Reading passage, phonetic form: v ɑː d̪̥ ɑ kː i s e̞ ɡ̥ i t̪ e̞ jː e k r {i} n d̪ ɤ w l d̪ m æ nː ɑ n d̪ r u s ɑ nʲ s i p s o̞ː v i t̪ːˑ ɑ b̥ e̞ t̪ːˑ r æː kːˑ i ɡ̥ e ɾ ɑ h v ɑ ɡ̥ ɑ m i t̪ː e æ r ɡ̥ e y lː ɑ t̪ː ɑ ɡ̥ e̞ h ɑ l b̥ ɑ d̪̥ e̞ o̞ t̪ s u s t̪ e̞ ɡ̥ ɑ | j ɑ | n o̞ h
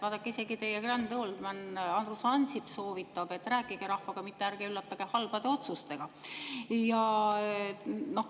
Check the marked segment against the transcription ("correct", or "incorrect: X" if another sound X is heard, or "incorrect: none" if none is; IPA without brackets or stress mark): incorrect: æ